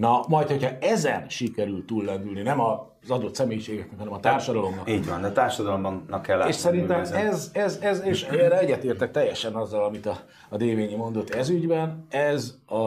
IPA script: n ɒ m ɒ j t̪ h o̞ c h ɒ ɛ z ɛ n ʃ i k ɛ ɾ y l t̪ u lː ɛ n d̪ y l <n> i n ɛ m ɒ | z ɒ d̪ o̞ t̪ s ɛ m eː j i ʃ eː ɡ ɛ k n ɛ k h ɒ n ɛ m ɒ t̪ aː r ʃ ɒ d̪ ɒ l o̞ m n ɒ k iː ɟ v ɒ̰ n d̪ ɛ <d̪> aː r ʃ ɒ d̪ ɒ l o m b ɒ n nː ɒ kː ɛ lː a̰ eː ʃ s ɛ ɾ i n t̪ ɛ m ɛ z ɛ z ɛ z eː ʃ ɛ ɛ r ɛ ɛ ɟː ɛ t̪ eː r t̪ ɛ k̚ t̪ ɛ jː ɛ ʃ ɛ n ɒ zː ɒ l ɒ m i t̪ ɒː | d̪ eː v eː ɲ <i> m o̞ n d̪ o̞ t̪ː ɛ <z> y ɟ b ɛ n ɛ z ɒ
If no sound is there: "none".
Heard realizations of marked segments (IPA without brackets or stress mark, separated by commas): n, t̪, i, z